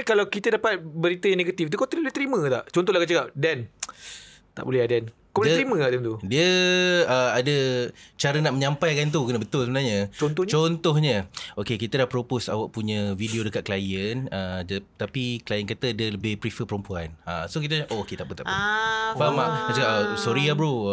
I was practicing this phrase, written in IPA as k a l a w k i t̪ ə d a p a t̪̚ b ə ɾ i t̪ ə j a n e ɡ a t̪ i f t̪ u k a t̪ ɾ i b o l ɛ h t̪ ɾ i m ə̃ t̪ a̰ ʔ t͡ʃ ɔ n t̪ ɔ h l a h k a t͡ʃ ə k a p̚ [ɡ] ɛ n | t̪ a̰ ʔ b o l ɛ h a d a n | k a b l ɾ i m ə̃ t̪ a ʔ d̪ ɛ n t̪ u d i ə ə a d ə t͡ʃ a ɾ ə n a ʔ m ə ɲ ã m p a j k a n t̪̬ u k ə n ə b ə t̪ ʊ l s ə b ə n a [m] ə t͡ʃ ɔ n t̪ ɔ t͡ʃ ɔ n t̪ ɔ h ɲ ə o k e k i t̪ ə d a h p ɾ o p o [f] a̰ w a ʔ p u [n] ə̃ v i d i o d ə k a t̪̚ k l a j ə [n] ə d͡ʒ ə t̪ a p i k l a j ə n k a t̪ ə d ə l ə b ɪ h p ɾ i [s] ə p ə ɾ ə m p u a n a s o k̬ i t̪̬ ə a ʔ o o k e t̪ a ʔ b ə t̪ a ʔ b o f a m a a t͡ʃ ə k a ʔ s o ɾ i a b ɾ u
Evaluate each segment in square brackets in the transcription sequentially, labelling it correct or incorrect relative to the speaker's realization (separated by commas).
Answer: incorrect, incorrect, incorrect, incorrect, correct, incorrect